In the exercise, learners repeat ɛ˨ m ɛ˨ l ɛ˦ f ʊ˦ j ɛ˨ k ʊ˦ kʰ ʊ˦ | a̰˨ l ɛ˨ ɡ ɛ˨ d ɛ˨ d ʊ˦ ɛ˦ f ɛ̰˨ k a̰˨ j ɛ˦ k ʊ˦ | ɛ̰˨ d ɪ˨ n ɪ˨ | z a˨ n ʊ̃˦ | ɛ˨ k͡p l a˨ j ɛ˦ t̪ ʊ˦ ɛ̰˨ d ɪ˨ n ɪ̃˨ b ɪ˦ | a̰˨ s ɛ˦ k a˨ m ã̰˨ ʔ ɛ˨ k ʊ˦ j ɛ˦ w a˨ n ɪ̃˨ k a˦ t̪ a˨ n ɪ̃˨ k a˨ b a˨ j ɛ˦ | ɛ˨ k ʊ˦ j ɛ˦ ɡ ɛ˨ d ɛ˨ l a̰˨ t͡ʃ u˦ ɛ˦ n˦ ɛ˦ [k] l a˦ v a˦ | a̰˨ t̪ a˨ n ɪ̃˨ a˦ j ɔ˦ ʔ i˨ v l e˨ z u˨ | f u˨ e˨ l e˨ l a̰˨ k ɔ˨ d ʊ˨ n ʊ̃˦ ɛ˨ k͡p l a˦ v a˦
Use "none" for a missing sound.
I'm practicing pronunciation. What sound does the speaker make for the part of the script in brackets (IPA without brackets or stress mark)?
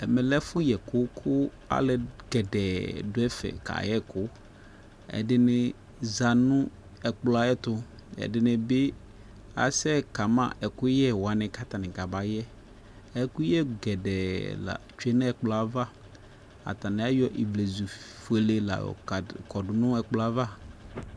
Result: k͡p